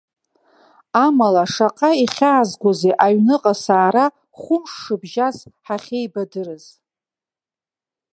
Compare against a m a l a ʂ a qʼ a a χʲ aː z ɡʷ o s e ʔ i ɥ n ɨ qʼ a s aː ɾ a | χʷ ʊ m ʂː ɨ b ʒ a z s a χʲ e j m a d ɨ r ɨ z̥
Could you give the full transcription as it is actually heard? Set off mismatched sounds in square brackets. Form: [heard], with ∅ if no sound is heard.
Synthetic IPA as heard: a m a l a ʂ a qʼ a [i] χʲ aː z ɡʷ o [z] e ʔ [a] ɥ n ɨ qʼ a s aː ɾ a | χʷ ʊ m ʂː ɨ b ʒ a z [ħ] a χʲ e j [b] a d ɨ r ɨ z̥